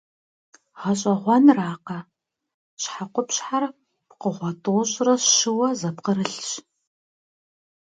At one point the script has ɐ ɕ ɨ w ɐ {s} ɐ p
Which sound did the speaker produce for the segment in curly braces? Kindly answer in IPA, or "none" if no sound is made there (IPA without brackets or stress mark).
z